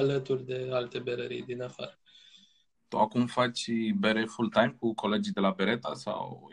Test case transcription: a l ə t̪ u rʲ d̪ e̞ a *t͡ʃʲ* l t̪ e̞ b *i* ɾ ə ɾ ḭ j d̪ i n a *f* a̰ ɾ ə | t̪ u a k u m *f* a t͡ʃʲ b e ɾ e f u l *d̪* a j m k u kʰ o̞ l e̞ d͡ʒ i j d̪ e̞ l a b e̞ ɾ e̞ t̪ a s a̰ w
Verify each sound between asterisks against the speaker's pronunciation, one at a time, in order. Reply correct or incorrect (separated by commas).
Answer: incorrect, incorrect, correct, correct, incorrect